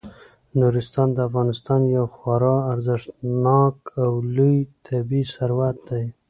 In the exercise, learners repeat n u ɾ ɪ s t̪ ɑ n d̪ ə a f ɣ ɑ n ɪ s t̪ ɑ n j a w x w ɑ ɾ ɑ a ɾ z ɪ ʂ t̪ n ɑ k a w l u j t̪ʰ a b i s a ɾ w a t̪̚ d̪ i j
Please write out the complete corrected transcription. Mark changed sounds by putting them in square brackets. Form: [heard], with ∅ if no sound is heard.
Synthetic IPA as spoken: n u ɾ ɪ s t̪ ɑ n d̪ ə a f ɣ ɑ n ɪ s t̪ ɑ n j a w x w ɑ ɾ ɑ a ɾ z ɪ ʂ t̪ n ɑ k a w l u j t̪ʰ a b i s a ɾ w a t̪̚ d̪ [a] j